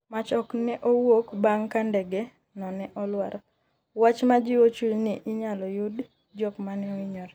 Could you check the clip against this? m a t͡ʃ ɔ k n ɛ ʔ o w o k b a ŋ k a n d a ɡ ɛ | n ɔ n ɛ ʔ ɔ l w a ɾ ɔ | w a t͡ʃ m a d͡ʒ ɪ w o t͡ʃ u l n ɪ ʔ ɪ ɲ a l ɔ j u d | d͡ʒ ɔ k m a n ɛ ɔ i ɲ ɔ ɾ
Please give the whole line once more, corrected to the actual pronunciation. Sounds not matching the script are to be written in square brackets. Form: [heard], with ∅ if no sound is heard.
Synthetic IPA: m a t͡ʃ ɔ k n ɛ ʔ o w o k b a ŋ k a n d [ɛ] ɡ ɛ | n ɔ n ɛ ʔ ɔ l w a ɾ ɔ | w a t͡ʃ m a d͡ʒ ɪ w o t͡ʃ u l n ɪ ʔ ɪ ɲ a l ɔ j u d | d͡ʒ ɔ k m a n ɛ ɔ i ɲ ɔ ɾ